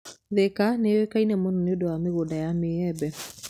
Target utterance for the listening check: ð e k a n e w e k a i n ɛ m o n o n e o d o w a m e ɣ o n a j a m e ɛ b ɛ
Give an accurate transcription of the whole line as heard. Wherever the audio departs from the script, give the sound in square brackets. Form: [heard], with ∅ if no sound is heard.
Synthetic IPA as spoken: ð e k a n e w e k a i n ɛ m o n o n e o d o w a m e ɣ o [d] a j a m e ɛ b ɛ